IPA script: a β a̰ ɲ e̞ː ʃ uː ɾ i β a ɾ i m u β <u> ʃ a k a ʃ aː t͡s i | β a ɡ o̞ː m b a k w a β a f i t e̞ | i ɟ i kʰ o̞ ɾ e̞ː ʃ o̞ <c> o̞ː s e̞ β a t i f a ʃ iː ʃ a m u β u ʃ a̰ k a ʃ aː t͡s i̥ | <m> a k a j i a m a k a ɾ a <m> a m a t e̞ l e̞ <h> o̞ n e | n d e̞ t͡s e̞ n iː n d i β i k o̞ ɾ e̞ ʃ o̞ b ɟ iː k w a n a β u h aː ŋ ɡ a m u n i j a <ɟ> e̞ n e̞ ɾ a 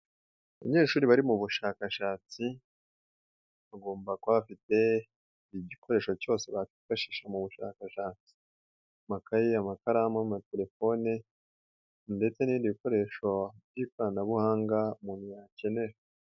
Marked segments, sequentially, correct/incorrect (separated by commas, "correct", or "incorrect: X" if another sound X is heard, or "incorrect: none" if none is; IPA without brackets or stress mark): correct, correct, correct, correct, incorrect: f, incorrect: c